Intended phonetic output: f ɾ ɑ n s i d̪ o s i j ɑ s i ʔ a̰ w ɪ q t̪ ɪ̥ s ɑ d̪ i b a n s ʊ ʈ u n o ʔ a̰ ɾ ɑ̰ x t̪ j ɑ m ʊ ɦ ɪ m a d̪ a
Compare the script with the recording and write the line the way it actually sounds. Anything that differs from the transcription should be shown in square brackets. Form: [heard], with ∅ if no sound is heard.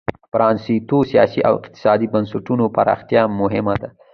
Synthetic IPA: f ɾ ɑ n s i [t̪] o s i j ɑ s i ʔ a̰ w ɪ q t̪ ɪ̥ s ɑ d̪ i b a n s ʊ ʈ u n o [p] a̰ ɾ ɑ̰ x t̪ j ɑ m ʊ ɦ ɪ m a d̪ a